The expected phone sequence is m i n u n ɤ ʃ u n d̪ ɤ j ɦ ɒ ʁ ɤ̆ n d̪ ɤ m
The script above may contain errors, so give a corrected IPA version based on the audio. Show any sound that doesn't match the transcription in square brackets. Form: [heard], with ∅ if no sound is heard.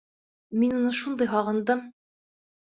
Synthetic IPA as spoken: m i n u n ɤ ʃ u n d̪ ɤ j ɦ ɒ ʁ ɤ̆ n d̪ ɤ m